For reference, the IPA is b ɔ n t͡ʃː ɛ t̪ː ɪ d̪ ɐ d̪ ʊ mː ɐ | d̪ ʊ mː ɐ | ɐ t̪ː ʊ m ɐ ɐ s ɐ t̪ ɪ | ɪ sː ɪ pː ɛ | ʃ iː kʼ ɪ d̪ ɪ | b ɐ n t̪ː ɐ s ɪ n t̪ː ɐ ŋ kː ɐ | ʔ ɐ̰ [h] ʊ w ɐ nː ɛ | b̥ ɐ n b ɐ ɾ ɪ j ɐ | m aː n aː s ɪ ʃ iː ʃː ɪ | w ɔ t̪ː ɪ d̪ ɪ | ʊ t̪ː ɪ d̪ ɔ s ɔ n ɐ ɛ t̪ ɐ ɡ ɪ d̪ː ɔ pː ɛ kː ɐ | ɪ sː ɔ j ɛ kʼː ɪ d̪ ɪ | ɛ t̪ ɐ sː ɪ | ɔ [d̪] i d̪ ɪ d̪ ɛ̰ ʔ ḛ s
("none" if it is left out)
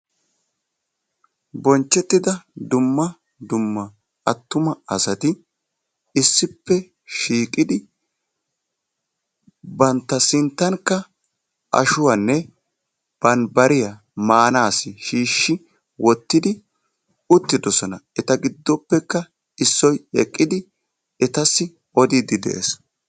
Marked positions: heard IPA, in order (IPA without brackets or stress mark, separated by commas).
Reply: ʃ, d̪